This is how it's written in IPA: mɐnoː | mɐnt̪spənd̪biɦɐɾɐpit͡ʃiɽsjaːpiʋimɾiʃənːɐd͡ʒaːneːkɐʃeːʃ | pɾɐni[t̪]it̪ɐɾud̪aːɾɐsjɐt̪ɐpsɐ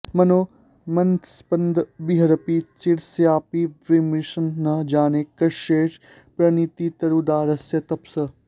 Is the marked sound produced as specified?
yes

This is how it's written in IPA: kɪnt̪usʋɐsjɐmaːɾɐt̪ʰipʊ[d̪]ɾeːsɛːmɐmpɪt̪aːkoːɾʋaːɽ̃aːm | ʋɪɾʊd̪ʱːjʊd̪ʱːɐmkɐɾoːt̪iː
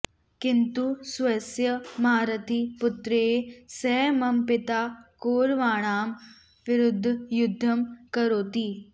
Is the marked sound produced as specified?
no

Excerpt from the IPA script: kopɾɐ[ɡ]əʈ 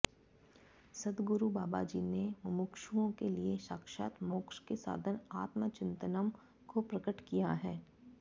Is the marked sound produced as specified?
no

